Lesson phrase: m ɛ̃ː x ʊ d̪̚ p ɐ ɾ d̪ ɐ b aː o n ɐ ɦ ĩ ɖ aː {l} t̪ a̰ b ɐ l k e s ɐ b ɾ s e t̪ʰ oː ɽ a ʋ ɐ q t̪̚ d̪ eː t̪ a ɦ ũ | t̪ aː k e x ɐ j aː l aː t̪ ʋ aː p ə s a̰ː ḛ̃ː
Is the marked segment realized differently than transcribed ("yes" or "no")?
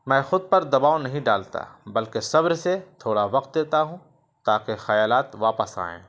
no